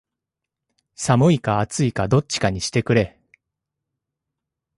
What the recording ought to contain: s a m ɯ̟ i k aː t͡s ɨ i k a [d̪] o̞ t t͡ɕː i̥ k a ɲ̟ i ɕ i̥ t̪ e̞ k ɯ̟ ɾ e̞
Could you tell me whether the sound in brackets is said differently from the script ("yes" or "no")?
no